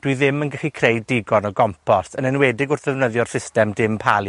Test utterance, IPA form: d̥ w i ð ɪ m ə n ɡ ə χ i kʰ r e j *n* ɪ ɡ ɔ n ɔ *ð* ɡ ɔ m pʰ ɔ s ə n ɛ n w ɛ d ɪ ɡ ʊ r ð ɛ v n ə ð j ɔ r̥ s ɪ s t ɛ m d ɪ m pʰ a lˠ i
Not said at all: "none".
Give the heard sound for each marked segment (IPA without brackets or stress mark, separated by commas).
d, none